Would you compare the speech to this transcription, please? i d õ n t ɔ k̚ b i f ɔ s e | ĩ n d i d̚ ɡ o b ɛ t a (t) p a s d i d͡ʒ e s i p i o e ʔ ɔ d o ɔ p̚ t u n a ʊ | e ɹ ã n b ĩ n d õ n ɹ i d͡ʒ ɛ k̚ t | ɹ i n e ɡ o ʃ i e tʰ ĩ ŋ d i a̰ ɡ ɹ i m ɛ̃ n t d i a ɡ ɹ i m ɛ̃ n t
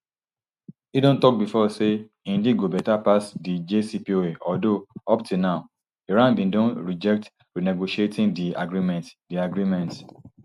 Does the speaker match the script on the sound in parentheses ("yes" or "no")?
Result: no